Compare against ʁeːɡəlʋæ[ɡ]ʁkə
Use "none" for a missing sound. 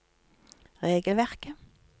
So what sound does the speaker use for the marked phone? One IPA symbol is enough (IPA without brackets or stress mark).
none